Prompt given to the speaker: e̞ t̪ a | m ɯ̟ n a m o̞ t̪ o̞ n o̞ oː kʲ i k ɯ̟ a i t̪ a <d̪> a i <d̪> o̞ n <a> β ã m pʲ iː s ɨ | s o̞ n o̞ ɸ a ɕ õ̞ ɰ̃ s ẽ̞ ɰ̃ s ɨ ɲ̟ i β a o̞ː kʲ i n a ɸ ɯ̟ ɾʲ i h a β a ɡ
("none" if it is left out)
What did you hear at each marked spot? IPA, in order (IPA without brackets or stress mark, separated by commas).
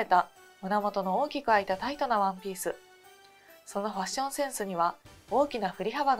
t̪, t̪, a